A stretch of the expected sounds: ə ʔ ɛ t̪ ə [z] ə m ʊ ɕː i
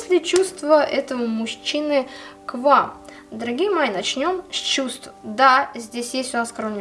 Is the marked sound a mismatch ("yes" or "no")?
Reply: yes